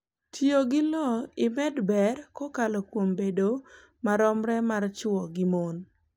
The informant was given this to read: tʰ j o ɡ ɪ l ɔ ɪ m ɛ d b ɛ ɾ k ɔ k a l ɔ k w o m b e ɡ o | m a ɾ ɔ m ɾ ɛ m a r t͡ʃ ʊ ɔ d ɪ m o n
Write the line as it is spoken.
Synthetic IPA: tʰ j o ɡ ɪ l ɔ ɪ m ɛ d b ɛ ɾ k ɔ k a l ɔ k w o m b e d o | m a ɾ ɔ m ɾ ɛ m a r t͡ʃ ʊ ɔ ɡ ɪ m o n